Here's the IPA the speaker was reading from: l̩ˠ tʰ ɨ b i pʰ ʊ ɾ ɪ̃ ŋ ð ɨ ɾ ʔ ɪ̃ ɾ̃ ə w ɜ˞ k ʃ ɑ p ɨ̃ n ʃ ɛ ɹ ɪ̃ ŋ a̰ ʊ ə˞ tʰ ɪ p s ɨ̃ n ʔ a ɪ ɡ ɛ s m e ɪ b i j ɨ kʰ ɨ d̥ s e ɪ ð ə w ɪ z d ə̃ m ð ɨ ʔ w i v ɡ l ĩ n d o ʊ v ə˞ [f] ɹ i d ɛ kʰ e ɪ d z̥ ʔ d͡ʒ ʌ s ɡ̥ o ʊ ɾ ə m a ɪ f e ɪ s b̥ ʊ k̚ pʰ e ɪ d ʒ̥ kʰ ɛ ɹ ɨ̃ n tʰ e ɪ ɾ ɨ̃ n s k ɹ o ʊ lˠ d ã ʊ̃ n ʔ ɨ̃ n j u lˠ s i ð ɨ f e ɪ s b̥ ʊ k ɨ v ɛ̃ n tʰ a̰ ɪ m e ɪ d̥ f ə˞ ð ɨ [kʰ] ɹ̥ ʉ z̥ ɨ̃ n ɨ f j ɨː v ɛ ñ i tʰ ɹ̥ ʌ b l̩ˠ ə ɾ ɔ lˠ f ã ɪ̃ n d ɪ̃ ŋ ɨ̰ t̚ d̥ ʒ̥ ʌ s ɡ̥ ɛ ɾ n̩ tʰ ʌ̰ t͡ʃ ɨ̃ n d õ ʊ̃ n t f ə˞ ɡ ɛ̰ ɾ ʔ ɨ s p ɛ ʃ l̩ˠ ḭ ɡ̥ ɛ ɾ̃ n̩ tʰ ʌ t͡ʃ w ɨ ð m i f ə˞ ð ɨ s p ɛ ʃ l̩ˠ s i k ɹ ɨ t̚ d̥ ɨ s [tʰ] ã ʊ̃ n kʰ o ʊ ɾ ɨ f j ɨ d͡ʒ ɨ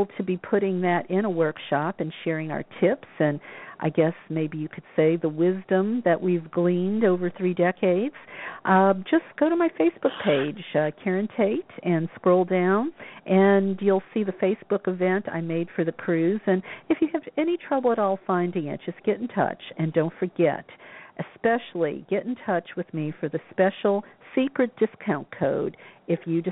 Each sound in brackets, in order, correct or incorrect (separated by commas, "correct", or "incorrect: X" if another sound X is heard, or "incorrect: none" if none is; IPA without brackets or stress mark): incorrect: θ, correct, incorrect: kʰ